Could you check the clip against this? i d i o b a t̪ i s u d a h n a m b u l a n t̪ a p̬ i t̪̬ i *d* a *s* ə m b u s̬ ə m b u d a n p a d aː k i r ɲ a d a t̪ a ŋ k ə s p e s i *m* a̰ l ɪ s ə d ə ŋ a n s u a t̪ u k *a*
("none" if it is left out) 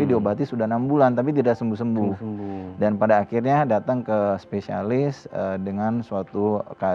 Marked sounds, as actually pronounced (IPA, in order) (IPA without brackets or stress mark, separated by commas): d, s, none, a